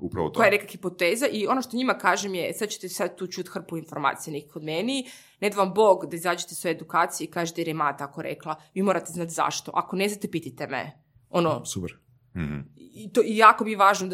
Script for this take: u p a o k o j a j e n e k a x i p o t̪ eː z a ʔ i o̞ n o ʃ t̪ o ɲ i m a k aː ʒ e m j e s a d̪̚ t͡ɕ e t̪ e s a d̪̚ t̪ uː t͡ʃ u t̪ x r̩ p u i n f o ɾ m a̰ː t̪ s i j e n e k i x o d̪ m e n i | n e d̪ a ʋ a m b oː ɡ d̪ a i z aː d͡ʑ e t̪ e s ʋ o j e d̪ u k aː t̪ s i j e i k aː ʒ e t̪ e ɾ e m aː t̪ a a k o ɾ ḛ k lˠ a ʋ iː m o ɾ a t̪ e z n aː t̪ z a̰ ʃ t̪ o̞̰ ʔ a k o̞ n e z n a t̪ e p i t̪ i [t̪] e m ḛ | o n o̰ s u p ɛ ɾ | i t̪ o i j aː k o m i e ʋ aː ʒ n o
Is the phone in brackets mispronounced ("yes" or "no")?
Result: no